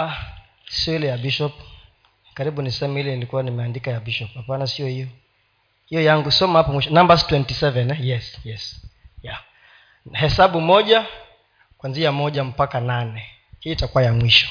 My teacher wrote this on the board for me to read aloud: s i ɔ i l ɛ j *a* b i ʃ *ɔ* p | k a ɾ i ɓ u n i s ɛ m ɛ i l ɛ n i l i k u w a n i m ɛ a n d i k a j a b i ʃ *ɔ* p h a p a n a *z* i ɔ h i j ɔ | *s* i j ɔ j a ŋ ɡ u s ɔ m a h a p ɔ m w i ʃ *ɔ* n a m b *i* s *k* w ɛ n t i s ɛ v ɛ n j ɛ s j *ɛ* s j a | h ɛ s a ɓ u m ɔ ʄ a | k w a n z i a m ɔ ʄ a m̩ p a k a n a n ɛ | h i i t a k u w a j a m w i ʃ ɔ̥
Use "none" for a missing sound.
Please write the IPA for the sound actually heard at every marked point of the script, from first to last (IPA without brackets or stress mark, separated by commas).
a, ɔ, ɔ, s, h, ɔ, a, t, ɛ